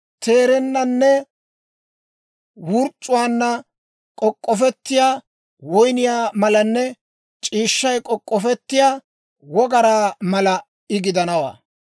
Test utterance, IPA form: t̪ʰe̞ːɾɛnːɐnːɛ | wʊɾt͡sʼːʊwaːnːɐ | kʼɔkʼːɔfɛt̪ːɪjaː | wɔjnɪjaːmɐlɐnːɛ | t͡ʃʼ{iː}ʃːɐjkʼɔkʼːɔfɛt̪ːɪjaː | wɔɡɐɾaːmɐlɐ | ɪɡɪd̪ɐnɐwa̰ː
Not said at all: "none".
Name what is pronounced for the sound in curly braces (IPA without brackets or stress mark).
iː